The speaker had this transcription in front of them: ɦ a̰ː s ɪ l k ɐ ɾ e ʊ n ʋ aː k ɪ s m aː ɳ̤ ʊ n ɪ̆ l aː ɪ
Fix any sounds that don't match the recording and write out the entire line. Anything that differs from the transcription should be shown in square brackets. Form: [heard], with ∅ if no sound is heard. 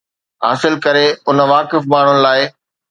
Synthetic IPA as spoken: ɦ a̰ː s ɪ l k ɐ ɾ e ʊ n ʋ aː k ɪ [f] m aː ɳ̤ ʊ n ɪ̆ l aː ɪ